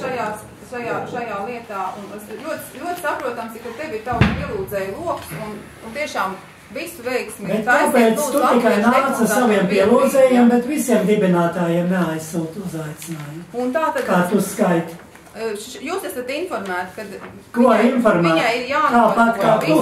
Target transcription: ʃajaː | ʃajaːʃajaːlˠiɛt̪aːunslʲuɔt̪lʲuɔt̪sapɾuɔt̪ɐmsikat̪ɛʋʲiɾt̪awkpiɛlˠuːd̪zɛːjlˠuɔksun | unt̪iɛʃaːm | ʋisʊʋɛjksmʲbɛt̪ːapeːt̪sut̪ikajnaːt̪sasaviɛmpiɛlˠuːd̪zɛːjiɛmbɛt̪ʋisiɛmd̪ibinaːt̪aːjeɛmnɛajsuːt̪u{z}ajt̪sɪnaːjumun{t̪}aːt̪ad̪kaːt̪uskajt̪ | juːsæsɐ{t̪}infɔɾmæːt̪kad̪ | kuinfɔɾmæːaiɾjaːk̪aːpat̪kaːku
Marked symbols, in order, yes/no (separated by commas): yes, yes, yes